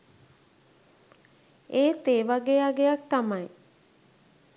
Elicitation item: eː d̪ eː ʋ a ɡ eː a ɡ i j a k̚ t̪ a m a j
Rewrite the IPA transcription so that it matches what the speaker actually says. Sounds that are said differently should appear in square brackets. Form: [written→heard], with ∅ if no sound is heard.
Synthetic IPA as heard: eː [d̪→t̪] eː ʋ a ɡ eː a ɡ [i→e] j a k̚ t̪ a m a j